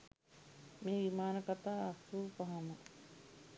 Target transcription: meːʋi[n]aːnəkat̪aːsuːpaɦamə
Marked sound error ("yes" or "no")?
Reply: yes